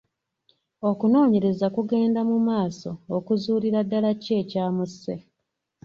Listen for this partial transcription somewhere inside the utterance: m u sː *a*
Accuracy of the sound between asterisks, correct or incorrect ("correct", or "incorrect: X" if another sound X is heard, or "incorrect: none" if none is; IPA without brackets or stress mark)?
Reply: incorrect: e